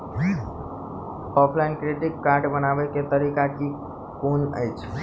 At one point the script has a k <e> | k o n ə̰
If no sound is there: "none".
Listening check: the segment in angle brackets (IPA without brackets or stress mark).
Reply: i